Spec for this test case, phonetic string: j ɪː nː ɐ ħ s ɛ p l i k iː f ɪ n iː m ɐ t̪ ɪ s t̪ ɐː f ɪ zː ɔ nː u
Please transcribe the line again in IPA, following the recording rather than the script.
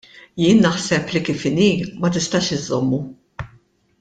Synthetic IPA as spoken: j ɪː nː ɐ ħ s ɛ p l i k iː f ɪ n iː m ɐ t̪ ɪ s t̪ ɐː ʃ ɪ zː ɔ mː u